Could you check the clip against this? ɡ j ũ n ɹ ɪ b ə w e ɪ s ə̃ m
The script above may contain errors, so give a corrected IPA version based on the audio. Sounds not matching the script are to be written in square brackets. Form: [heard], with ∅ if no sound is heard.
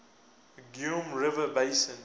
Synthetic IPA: ɡ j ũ [m] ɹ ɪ [v] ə [b] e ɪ s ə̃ [n]